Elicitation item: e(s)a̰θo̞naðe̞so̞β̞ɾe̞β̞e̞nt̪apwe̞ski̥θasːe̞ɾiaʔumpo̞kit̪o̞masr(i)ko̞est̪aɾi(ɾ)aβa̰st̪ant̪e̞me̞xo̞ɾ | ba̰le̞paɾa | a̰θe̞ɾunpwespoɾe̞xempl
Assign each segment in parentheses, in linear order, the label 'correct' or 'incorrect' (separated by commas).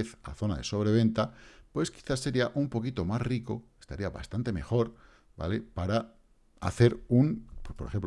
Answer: incorrect, correct, incorrect